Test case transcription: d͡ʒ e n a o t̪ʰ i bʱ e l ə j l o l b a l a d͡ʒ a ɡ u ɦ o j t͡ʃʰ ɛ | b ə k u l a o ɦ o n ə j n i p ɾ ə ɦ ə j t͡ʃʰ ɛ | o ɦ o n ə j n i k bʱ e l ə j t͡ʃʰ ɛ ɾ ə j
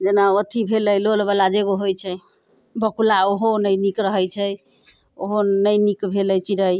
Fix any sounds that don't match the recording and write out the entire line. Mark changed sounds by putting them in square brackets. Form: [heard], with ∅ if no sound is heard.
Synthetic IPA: d͡ʒ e n a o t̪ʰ i bʱ e l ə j l o l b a l a d͡ʒ [e] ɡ [o] ɦ o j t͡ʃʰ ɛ | b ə k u l a o ɦ o n ə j n i [k] ɾ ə ɦ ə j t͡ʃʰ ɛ | o ɦ o n ə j n i k bʱ e l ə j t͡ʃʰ [i] ɾ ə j